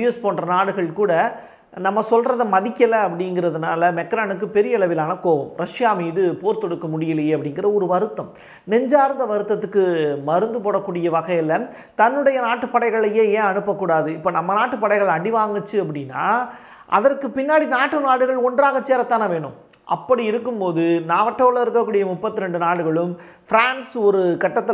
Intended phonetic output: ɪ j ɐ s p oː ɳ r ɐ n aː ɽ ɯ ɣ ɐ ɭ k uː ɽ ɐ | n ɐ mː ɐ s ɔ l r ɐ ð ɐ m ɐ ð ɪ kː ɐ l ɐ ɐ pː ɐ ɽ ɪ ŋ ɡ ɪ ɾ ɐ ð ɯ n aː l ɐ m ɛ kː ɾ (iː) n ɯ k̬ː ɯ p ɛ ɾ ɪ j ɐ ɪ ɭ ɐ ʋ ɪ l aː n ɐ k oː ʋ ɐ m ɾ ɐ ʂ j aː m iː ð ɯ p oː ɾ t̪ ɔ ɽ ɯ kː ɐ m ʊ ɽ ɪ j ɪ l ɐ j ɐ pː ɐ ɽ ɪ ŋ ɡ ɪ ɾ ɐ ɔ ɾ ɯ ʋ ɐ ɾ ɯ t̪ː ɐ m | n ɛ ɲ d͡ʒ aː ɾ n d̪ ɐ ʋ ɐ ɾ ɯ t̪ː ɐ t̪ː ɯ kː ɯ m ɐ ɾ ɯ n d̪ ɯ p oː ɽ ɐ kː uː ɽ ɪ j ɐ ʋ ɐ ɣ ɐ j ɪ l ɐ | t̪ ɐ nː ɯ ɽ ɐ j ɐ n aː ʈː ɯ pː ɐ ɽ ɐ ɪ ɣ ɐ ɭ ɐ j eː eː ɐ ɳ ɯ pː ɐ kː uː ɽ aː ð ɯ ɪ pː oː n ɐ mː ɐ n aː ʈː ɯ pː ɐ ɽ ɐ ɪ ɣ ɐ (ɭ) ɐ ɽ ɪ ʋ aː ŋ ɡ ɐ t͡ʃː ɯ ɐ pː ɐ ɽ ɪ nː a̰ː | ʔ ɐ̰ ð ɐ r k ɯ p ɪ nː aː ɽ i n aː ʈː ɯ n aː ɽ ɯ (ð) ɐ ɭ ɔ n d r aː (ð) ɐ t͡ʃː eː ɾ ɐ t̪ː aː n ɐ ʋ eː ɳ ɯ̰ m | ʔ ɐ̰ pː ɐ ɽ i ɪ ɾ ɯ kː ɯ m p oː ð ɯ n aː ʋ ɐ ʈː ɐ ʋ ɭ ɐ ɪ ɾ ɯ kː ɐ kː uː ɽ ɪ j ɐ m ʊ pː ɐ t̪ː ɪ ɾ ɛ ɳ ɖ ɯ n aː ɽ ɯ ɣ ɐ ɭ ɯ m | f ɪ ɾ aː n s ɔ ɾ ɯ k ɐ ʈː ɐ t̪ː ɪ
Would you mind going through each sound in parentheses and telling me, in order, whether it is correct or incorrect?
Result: incorrect: aː, correct, incorrect: ɣ, incorrect: ɣ

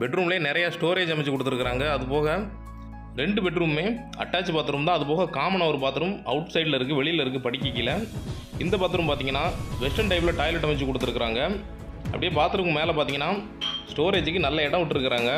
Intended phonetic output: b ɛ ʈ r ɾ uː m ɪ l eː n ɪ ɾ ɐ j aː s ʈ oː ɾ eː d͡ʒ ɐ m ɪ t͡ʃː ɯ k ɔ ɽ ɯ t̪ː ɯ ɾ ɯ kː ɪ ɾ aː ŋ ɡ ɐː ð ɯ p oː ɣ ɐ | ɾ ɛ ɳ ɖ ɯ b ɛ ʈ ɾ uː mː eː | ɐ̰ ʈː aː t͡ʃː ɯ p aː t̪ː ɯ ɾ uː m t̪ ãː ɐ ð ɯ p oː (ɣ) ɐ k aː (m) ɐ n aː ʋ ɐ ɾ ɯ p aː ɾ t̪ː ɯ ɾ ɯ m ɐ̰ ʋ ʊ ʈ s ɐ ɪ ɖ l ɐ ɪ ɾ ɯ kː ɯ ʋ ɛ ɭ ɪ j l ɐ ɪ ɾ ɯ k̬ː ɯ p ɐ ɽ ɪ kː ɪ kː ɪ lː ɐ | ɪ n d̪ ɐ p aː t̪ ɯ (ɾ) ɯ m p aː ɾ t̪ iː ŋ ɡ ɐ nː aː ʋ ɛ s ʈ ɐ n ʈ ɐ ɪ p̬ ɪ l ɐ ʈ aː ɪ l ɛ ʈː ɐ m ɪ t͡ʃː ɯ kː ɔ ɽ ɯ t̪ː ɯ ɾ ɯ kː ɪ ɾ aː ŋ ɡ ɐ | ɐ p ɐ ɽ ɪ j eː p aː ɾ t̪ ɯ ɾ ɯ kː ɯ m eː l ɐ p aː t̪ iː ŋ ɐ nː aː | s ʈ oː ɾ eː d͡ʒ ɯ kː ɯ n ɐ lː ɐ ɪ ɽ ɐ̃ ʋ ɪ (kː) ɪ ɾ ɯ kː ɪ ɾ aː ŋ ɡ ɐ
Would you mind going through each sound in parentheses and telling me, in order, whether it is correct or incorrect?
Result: correct, correct, correct, incorrect: ʈː

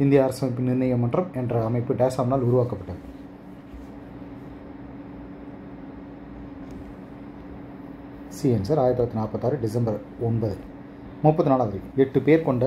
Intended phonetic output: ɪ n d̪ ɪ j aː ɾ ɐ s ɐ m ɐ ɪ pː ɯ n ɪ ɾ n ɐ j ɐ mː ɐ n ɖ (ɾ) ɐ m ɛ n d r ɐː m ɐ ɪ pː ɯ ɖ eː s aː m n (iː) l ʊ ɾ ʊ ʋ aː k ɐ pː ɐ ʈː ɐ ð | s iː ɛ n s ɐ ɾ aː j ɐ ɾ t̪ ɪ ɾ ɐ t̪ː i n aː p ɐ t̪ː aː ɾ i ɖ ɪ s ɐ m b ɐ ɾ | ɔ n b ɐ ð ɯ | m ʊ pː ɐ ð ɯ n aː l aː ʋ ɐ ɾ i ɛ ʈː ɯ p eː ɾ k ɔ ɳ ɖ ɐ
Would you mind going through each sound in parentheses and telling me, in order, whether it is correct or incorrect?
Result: incorrect: r, incorrect: aː

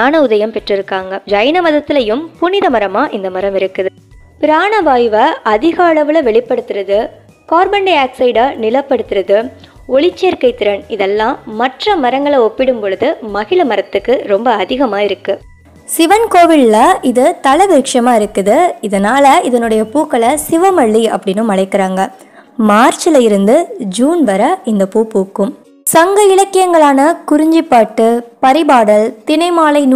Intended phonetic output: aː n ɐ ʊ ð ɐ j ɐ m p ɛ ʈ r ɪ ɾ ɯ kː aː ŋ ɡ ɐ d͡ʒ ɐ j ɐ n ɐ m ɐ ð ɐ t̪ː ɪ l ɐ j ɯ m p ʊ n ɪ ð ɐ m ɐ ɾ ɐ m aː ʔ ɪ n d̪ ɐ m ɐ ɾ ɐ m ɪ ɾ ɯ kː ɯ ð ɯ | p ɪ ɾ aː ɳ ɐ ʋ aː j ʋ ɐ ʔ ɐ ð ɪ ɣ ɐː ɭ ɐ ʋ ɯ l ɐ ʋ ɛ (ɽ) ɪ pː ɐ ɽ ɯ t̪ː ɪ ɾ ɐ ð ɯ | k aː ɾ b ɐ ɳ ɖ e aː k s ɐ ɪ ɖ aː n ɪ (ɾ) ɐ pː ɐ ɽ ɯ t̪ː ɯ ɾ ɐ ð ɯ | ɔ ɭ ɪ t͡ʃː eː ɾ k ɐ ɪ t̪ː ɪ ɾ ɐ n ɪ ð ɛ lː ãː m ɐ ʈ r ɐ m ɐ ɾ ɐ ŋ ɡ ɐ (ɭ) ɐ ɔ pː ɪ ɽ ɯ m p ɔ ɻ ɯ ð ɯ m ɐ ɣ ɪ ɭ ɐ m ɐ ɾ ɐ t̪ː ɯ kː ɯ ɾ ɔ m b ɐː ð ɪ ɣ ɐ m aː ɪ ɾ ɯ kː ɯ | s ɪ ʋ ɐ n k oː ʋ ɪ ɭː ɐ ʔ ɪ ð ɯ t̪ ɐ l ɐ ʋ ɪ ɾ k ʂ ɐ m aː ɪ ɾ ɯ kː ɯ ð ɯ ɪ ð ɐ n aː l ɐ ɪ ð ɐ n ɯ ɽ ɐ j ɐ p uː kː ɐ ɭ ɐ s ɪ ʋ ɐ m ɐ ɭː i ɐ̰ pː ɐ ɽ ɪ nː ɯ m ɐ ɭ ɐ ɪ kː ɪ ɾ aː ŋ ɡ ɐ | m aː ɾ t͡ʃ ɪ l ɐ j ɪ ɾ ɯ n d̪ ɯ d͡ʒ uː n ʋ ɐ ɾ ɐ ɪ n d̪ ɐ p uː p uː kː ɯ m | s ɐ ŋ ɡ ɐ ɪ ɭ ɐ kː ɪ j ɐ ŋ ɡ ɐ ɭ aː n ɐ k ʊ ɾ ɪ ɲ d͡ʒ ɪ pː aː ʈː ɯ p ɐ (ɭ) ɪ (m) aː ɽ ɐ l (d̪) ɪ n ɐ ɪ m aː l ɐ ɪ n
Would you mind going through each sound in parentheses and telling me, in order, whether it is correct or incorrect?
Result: incorrect: ɭ, incorrect: l, correct, incorrect: ɾ, incorrect: b, incorrect: t̪

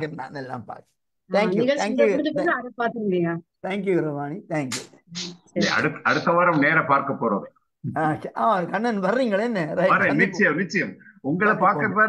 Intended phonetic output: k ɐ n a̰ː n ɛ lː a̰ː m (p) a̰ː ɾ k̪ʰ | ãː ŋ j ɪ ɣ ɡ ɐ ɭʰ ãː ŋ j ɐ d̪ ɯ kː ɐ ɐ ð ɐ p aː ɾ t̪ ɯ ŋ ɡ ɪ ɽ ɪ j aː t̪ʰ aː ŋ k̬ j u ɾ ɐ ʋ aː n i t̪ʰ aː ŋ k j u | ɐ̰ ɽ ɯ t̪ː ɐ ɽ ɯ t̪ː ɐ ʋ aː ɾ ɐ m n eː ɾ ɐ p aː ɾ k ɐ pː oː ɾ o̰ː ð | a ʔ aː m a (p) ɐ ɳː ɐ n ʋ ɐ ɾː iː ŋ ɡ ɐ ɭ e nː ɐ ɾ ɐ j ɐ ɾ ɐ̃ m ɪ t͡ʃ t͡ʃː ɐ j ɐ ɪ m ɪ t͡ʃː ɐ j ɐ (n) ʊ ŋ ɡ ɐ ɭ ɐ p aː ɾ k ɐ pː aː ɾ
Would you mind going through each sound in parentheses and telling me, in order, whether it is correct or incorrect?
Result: correct, incorrect: k, incorrect: m

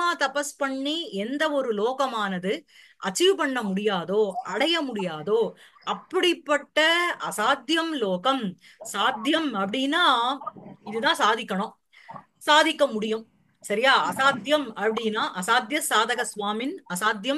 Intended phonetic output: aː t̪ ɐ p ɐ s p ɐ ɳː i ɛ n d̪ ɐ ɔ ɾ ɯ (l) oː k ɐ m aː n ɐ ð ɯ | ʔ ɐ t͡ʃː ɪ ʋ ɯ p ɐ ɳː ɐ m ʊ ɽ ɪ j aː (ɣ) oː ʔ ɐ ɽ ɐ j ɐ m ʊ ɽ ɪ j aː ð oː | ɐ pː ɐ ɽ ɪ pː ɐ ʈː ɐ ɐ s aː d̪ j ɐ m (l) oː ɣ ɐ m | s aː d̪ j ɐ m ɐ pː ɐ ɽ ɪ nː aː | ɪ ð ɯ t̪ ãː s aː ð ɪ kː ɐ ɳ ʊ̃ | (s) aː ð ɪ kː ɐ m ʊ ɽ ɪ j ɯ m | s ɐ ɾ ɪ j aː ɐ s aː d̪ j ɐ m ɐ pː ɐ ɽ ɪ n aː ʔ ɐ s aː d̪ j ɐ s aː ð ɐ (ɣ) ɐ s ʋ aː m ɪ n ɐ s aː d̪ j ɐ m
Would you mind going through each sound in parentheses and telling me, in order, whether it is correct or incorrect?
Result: correct, incorrect: ð, correct, correct, correct

